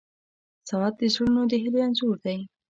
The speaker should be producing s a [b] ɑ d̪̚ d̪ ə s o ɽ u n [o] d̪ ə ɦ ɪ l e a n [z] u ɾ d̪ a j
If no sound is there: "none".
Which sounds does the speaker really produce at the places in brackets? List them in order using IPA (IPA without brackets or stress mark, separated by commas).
w, o, z